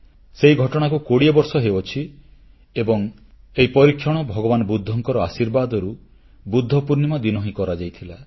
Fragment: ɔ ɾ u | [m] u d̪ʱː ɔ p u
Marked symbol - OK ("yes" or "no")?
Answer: no